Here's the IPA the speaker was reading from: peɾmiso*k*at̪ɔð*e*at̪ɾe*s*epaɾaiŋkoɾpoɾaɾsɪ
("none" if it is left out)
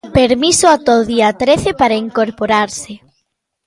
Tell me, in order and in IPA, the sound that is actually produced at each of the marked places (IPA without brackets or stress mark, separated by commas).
none, i, θ